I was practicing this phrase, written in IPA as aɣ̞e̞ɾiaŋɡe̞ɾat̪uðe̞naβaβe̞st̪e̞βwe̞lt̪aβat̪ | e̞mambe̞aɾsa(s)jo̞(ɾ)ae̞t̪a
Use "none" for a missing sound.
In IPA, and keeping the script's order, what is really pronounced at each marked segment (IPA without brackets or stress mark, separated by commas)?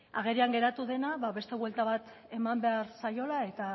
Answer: none, l